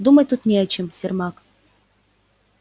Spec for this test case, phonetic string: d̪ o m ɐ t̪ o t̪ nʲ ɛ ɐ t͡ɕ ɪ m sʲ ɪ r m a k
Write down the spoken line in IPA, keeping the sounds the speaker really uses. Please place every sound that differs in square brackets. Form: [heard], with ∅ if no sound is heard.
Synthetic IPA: d̪ [u] m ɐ t̪ [u] t̪ nʲ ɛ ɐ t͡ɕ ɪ m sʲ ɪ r m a k